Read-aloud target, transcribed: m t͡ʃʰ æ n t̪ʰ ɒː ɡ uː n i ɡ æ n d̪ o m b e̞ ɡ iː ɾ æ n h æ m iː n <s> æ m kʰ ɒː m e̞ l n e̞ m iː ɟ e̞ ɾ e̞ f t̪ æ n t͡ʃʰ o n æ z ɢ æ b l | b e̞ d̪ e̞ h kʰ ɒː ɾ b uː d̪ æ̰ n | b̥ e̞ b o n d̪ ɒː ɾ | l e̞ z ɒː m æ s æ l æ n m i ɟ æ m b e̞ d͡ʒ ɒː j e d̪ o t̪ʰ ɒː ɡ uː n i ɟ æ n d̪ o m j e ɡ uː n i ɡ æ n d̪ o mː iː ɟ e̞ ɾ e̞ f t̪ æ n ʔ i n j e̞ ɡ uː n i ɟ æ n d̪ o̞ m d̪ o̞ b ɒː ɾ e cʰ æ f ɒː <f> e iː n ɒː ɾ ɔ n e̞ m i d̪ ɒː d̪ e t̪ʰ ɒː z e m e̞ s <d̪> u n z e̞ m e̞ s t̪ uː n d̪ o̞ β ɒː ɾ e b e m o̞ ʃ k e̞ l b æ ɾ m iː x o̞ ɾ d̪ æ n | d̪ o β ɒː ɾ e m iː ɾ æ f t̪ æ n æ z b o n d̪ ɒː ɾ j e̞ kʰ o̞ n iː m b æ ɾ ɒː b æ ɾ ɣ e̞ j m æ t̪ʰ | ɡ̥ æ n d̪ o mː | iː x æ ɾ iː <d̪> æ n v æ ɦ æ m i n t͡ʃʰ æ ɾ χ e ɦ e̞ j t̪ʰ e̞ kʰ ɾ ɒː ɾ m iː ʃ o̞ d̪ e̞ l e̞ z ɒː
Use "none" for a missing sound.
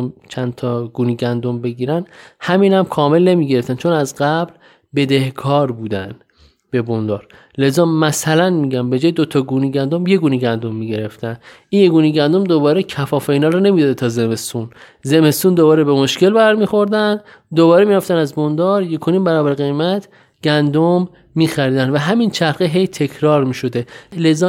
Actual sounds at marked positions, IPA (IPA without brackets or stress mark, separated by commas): h, f, t̪, d̪